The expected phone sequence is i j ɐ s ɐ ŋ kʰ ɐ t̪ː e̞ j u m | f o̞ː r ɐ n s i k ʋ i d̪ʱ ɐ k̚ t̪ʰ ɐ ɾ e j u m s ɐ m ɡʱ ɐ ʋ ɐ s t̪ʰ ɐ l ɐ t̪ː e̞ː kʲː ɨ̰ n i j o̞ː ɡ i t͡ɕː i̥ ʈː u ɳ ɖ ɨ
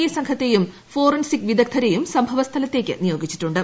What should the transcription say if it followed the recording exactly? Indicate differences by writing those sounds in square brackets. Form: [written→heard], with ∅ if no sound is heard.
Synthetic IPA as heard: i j ɐ s ɐ ŋ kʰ ɐ t̪ː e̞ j u m | f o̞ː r ɐ n s i k ʋ i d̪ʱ ɐ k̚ t̪ʰ ɐ ɾ e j u m s ɐ m [ɡʱ→bʱ] ɐ ʋ ɐ s t̪ʰ ɐ l ɐ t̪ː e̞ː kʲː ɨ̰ n i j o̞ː ɡ i t͡ɕː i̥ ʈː u ɳ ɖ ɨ